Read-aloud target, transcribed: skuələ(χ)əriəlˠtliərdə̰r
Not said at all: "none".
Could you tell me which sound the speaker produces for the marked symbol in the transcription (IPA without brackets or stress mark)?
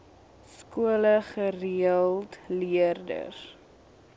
χ